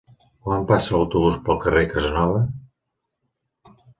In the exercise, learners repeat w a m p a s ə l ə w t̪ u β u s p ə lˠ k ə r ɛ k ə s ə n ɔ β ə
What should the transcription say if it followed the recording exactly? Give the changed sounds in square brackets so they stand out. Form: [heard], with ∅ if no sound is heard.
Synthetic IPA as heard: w a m p a s ə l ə w t̪ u β u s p ə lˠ k ə r [e] k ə [z] ə n ɔ β ə